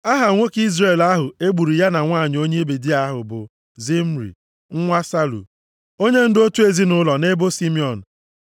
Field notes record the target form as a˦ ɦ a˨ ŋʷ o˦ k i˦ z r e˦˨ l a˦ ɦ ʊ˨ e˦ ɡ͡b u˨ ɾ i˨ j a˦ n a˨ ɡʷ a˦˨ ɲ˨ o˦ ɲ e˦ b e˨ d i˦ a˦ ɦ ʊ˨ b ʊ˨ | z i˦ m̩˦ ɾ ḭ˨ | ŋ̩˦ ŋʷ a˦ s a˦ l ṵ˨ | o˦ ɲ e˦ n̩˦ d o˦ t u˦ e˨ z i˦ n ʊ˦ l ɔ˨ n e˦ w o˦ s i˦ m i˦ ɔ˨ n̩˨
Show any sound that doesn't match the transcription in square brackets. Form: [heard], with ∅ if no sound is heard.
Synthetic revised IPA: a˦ ɦ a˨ ŋʷ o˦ k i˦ z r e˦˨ l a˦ ɦ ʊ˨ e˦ ɡ͡b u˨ ɾ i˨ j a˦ n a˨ [ŋʷ] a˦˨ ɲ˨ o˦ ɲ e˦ b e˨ d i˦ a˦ ɦ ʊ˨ b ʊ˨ | z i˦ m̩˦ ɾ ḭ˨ | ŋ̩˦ ŋʷ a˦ s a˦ l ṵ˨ | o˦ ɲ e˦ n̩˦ d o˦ t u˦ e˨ z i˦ n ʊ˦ l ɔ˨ n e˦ [b] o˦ s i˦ m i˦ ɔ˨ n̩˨

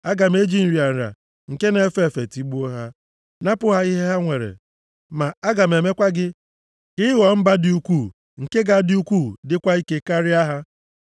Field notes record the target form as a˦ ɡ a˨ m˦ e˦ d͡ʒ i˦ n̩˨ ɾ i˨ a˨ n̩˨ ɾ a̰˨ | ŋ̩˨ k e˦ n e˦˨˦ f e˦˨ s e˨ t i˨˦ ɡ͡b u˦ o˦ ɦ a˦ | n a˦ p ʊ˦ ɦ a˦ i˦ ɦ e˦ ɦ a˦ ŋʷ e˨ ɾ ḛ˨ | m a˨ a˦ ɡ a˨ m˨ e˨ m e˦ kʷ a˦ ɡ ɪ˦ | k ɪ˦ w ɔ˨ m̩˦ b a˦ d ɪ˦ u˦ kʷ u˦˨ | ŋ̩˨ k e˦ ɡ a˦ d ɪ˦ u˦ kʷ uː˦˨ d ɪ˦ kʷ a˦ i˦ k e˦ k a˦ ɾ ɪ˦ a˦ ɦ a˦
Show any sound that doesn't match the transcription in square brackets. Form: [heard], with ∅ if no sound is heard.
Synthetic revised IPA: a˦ ɡ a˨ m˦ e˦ d͡ʒ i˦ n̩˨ ɾ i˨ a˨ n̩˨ ɾ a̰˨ | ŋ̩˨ k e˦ n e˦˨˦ f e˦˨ [f] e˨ t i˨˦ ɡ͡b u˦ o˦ ɦ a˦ | n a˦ p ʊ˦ ɦ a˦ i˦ ɦ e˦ ɦ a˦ ŋʷ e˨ ɾ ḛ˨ | m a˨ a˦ ɡ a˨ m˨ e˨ m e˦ kʷ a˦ ɡ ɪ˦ | k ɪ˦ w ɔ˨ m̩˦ b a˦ d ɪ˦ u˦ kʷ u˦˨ | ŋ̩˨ k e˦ ɡ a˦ d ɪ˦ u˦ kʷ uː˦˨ d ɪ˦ kʷ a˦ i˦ k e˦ k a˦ ɾ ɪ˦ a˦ ɦ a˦

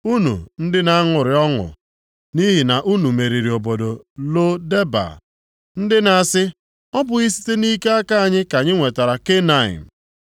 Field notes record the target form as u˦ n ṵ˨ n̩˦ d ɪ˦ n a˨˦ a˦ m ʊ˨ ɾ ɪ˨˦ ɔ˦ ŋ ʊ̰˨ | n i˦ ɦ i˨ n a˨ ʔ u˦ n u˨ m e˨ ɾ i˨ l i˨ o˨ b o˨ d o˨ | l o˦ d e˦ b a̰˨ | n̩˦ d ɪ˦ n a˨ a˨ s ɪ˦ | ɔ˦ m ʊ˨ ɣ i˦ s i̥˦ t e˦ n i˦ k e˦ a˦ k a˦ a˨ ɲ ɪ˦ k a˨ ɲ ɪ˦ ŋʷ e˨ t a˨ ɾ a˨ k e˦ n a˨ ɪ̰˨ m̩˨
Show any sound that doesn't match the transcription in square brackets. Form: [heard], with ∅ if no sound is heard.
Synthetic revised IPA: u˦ n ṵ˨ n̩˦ d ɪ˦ n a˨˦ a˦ [ŋ] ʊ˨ ɾ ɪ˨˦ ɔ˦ ŋ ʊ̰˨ | n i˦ ɦ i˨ n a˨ ʔ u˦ n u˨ m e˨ ɾ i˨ [ɾ] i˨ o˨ b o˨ d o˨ | l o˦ d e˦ b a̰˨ | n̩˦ d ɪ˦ n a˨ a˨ s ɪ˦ | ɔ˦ [b] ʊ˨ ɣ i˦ s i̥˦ t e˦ n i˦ k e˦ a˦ k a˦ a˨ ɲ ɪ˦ k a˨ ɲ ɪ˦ ŋʷ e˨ t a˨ ɾ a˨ k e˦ n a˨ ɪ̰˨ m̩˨

